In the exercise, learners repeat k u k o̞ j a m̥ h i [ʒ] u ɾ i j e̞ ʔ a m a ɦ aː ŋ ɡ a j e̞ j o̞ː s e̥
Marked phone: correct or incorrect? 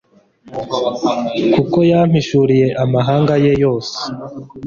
incorrect